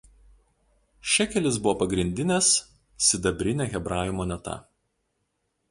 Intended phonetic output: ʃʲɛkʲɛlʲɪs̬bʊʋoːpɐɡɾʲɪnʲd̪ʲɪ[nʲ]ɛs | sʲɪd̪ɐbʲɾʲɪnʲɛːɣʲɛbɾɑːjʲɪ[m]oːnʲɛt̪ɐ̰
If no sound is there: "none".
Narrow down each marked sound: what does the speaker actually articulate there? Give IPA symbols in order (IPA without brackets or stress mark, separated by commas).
nʲ, m